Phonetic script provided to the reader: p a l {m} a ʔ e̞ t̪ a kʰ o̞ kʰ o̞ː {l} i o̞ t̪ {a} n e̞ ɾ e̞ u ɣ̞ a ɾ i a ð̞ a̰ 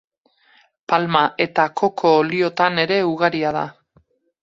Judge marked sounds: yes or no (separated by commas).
yes, yes, yes